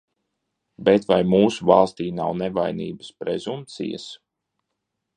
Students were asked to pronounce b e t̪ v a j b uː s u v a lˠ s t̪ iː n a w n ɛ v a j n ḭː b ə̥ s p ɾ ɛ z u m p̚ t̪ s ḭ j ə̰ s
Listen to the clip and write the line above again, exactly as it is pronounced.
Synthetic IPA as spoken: b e t̪ v a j m uː s u v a lˠ s t̪ iː n a w n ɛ v a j n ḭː b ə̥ s p ɾ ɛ z u m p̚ t̪ s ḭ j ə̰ s